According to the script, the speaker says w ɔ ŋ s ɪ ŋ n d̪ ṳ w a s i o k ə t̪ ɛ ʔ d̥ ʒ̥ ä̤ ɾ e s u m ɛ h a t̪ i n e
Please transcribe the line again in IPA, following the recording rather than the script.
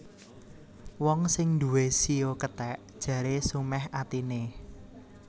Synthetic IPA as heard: w ɔ ŋ s ɪ ŋ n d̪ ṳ w e s i o k ə t̪ ɛ ʔ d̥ ʒ̥ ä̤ ɾ e s u m ɛ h a t̪ i n e